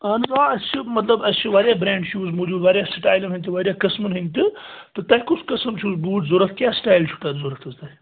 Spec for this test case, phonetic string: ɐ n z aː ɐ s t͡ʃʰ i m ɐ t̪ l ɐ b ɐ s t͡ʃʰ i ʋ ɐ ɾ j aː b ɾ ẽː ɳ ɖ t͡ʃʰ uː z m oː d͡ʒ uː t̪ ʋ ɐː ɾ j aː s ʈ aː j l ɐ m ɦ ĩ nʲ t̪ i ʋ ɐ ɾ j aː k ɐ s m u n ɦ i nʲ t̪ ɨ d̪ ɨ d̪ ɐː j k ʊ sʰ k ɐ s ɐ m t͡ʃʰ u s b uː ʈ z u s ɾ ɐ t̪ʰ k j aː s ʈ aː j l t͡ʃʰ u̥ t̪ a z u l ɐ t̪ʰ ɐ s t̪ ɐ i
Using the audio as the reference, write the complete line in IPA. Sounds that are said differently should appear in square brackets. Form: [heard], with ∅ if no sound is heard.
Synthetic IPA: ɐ n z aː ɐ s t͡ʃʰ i m ɐ t̪ l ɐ b ɐ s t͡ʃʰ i ʋ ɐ ɾ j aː b ɾ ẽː ɳ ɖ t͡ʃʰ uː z m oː d͡ʒ uː [d̪] ʋ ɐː ɾ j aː s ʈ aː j l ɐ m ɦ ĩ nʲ t̪ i ʋ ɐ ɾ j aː k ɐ s m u n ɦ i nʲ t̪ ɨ [t̪] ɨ [t̪] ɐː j k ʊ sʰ k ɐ s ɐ m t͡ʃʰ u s b uː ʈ z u [∅] ɾ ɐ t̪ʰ k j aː s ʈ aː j l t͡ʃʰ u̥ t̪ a z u [ɾ] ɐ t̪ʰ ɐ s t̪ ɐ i